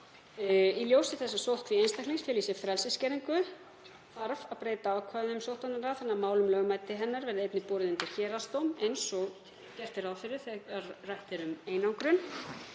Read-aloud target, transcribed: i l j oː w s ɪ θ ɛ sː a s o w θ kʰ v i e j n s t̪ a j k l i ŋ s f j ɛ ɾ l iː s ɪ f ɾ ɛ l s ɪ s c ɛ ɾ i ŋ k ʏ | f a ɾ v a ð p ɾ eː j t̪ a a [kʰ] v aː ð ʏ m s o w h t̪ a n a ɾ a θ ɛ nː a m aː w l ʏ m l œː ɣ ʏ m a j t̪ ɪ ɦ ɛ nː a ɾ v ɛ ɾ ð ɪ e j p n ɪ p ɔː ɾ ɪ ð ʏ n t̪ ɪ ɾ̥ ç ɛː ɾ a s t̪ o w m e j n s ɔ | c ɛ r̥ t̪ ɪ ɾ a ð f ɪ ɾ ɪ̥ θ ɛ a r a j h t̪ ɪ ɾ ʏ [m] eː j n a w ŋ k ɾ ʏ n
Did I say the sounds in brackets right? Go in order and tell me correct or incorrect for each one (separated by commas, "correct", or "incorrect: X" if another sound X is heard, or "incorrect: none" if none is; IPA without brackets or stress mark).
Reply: correct, correct